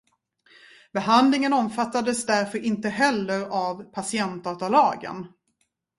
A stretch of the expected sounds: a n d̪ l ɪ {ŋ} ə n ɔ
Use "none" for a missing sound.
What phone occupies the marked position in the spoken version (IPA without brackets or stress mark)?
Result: ŋ